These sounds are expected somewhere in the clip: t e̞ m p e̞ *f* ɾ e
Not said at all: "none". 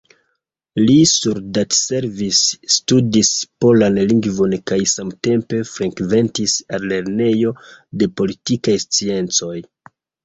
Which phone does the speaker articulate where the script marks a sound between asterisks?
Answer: f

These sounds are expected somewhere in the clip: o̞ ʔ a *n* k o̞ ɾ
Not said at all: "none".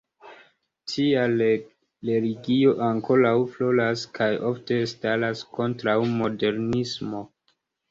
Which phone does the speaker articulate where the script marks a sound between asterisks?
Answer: ŋ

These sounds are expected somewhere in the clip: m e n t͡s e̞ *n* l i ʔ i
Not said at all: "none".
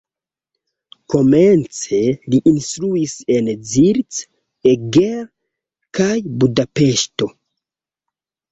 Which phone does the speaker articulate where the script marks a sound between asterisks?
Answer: none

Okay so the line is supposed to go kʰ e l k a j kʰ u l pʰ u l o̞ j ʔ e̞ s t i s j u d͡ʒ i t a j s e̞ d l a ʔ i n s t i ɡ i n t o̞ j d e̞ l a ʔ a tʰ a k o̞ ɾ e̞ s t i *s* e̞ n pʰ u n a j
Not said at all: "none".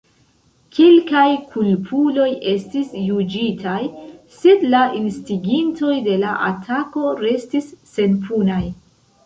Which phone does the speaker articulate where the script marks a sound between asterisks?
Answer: sː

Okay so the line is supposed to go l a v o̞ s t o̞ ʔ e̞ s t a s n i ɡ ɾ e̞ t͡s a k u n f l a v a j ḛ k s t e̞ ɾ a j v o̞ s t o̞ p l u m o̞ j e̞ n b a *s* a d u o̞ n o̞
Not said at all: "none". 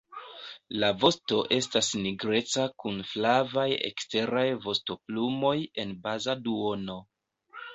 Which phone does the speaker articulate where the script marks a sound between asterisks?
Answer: z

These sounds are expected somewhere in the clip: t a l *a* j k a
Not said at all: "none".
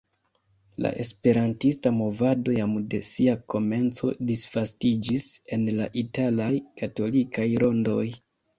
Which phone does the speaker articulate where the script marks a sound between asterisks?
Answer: a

